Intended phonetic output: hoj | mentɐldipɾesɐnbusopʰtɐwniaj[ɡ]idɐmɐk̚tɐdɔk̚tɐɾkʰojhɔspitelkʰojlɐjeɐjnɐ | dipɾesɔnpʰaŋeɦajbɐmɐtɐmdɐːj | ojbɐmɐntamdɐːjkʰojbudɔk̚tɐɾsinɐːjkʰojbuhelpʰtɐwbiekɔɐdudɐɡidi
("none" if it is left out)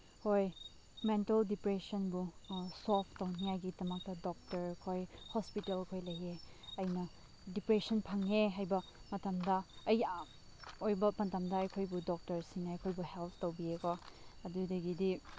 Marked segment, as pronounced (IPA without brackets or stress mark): ɡ